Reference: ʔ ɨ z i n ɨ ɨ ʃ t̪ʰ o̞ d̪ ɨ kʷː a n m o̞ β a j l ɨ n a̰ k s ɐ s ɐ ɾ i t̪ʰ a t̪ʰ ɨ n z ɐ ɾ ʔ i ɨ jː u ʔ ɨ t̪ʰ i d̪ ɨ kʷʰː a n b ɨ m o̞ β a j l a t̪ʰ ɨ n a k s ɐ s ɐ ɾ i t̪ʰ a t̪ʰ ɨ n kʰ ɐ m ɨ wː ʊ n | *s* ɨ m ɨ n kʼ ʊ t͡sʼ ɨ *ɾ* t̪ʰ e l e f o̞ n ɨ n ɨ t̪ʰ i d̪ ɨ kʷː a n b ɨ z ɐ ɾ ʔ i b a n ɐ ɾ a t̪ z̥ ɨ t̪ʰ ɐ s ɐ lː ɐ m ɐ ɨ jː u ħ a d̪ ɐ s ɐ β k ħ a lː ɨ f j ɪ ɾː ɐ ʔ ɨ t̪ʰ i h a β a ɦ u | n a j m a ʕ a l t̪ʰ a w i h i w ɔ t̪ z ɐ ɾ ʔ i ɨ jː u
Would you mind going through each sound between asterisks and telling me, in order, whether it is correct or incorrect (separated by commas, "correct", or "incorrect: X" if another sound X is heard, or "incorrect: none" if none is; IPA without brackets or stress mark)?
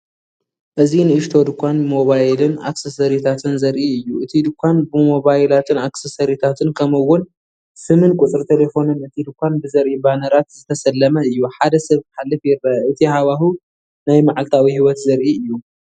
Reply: correct, correct